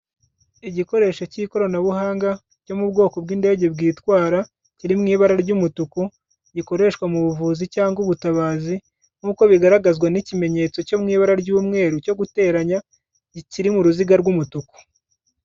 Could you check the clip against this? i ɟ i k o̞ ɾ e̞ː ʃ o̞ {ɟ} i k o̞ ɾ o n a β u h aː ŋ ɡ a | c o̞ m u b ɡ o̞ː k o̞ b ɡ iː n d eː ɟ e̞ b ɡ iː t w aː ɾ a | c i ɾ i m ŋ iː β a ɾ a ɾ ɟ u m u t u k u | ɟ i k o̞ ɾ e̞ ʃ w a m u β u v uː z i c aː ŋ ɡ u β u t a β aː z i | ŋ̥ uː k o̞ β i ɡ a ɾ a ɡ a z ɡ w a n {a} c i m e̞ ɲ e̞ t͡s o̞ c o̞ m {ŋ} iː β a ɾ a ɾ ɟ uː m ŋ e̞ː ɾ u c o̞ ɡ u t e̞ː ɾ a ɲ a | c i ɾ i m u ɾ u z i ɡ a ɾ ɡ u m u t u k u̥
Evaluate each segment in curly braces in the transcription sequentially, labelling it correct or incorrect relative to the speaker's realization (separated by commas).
incorrect, incorrect, correct